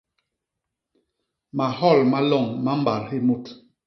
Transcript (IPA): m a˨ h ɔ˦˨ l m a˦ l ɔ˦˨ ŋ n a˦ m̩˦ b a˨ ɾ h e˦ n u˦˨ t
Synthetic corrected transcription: m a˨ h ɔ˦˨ l m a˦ l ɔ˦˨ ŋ m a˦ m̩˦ b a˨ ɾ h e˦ m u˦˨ t